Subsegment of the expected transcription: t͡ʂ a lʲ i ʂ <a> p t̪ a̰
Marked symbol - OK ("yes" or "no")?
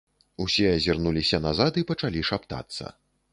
yes